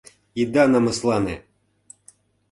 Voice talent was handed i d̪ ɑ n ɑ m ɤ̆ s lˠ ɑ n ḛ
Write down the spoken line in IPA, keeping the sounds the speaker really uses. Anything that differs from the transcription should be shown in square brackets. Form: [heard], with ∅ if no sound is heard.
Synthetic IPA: i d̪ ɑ n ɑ m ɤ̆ s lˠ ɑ n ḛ